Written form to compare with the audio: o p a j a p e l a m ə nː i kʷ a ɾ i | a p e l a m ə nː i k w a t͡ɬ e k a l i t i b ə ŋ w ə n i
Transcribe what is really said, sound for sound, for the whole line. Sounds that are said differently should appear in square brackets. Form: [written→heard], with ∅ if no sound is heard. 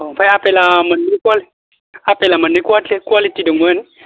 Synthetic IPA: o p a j a p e l a m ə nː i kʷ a [ɾ→l] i | a p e l a m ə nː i k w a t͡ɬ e k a l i t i [b→d] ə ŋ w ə n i